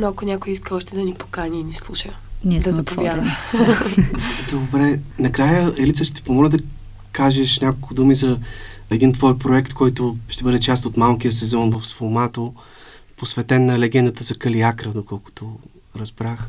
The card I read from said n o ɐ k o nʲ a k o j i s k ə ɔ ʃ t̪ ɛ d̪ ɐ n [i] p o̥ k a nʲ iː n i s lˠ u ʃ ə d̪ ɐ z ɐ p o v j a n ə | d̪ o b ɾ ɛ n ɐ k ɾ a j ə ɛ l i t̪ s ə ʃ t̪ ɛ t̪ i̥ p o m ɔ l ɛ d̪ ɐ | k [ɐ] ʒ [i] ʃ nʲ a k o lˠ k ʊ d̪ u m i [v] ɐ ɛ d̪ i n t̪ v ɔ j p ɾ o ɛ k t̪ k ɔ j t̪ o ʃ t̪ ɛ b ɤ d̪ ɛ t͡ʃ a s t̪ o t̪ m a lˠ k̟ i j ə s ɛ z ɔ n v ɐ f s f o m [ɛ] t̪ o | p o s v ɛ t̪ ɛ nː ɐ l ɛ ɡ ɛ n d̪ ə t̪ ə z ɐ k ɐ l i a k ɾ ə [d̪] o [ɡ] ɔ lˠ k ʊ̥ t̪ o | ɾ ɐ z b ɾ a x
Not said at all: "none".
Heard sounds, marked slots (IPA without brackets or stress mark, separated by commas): i, a, ɛ, z, a, d̪, k